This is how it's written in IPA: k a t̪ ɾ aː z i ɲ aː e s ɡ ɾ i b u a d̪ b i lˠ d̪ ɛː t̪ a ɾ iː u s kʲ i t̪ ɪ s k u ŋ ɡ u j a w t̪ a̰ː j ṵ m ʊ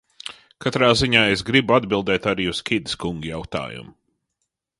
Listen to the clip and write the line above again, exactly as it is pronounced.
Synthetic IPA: k a t̪ ɾ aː z i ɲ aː e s ɡ ɾ i b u a d̪ b i lˠ d̪ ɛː t̪ a ɾ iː u s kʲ i d̪ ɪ s k u ŋ ɡ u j a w t̪ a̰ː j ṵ m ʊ